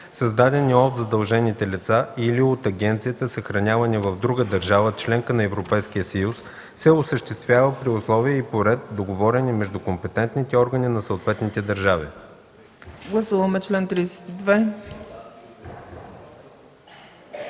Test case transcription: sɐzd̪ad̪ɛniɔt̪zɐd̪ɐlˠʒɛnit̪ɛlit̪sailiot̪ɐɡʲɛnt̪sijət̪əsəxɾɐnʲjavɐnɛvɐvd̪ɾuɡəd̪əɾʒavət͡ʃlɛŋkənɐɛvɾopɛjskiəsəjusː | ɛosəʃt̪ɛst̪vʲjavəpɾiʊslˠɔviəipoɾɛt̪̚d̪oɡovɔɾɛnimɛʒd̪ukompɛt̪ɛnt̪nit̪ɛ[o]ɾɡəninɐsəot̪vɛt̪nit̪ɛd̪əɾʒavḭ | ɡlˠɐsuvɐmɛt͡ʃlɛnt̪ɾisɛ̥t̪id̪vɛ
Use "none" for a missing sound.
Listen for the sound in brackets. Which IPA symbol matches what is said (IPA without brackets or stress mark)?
ɔ